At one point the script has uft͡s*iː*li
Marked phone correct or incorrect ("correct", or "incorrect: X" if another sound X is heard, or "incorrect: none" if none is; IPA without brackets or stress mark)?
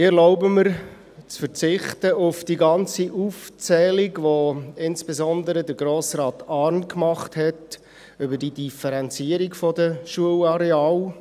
incorrect: ɛː